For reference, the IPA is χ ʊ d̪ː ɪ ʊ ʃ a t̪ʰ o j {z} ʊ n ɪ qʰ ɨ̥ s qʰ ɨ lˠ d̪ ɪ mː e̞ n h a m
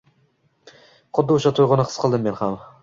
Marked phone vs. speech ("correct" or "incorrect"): incorrect